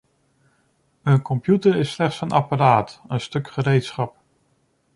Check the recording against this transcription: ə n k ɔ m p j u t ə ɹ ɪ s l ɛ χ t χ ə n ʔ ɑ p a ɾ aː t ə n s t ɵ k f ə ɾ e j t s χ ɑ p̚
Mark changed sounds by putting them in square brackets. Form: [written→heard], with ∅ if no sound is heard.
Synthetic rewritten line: ə n k ɔ m p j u t ə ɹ ɪ s l ɛ χ t [χ→s] ə n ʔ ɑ p a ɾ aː t ə n s t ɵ k [f→χ] ə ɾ e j t s χ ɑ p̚